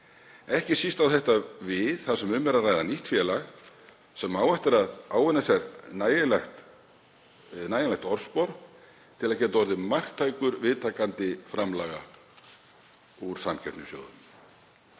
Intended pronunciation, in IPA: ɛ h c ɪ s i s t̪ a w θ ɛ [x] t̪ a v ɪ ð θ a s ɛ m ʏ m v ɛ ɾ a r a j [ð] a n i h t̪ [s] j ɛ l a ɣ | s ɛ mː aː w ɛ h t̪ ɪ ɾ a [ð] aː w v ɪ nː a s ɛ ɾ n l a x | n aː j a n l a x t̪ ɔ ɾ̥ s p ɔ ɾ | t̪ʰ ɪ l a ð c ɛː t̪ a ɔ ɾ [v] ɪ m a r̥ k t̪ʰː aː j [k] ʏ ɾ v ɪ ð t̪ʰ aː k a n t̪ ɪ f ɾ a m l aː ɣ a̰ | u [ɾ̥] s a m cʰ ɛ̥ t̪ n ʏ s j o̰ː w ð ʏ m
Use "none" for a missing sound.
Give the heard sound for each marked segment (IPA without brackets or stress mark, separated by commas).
h, ð, f, ð, ð, k, ɾ̥